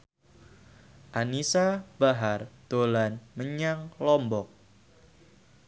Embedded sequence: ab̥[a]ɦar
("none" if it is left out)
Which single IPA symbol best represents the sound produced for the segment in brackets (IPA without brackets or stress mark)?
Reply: a